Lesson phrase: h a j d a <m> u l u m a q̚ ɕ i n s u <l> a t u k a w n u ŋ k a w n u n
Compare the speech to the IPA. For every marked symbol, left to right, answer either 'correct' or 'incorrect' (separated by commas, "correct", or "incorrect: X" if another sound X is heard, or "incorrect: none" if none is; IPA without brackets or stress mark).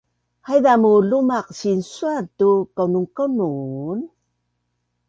correct, incorrect: none